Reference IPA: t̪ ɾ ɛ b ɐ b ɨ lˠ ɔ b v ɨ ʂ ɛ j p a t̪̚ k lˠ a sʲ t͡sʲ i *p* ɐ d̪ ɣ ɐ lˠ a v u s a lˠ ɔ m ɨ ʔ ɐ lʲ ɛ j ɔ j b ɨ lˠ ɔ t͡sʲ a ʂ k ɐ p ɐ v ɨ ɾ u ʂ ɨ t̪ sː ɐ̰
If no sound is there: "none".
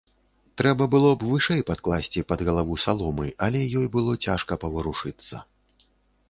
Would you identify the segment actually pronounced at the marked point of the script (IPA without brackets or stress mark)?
p